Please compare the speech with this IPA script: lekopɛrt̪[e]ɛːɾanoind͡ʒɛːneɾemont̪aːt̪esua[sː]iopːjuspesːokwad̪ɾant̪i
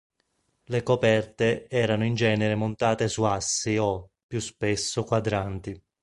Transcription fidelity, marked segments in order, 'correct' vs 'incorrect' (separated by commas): correct, correct